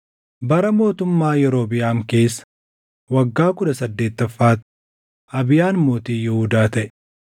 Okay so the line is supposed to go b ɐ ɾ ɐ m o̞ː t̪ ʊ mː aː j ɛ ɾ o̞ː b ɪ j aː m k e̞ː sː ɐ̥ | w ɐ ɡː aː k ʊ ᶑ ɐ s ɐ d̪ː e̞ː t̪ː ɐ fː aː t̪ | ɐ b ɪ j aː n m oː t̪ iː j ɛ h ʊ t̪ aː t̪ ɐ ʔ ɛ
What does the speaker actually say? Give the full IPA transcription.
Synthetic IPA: b ɐ ɾ ɐ m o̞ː t̪ ʊ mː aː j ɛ ɾ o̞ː b ɪ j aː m k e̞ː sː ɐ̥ | w ɐ ɡː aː k ʊ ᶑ ɐ s ɐ d̪ː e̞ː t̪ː ɐ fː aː t̪ | ɐ b ɪ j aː n m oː t̪ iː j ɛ h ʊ d̪ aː t̪ ɐ ʔ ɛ

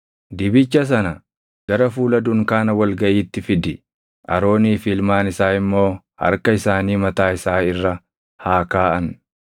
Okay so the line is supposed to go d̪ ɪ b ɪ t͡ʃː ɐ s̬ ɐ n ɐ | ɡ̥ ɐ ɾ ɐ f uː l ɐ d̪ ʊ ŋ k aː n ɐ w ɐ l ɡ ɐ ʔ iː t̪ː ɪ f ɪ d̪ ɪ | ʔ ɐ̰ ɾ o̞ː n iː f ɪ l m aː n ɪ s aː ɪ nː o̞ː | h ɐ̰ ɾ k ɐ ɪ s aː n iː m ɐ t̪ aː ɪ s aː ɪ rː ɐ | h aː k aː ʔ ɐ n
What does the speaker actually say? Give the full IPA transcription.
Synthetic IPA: d̪ ɪ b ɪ t͡ʃː ɐ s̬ ɐ n ɐ | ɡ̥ ɐ ɾ ɐ f uː l ɐ d̪ ʊ ŋ k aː n ɐ w ɐ l ɡ ɐ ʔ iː t̪ː ɪ f ɪ d̪ ɪ | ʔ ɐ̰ ɾ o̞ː n iː f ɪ l m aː n ɪ s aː ɪ mː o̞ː | h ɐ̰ ɾ k ɐ ɪ s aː n iː m ɐ t̪ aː ɪ s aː ɪ rː ɐ | h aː k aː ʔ ɐ n

